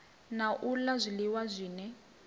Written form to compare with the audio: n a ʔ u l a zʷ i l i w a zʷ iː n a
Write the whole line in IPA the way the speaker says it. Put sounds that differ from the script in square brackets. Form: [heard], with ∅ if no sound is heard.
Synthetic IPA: n a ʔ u l a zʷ i l i w a zʷ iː n [ɛ]